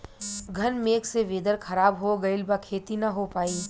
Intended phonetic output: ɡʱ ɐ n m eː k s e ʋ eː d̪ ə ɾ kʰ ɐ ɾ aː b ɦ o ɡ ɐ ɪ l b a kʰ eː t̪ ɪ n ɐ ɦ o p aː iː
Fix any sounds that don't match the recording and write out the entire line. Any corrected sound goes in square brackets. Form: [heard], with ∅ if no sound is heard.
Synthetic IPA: ɡʱ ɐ n m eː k s e ʋ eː d̪ ə ɾ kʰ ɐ ɾ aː b ɦ o ɡ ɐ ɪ l b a kʰ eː t̪ [i] n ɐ ɦ o p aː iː